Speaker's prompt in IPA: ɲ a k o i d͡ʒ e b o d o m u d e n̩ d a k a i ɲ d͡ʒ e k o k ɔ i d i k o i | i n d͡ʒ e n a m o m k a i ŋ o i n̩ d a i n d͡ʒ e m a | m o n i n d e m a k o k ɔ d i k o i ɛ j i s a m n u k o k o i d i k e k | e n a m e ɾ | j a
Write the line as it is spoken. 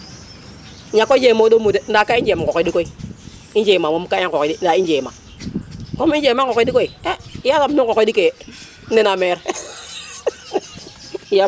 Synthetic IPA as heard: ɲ a k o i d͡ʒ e m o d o m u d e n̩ d a k a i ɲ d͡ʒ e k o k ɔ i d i k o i | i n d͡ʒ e m a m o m k a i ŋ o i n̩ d a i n d͡ʒ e m a | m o m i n d͡ʒ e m a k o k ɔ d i k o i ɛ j a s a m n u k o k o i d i k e | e n a m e ɾ | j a